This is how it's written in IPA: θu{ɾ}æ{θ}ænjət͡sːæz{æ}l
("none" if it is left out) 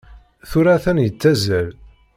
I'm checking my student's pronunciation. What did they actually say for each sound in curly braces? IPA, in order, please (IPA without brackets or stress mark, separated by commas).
ɾ, θ, æ